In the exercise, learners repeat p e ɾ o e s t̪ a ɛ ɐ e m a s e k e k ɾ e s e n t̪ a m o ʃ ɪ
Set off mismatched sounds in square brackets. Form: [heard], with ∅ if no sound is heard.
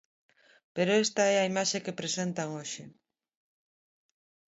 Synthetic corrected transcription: p e ɾ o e s t̪ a ɛ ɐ [i] m a [ʃ] e k e [p] ɾ e s e n t̪ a [ŋ] o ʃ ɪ